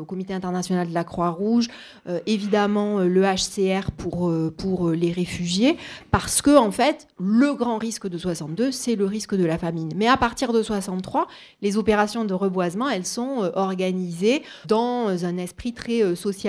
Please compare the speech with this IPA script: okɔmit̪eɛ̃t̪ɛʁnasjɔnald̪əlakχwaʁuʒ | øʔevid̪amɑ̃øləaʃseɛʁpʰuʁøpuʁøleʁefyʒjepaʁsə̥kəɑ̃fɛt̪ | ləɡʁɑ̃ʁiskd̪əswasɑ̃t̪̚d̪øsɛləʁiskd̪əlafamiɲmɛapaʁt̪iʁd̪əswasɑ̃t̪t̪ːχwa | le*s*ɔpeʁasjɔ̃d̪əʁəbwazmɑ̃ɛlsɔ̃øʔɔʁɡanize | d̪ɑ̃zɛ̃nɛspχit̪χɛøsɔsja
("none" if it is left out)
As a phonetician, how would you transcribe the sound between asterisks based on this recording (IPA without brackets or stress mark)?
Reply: z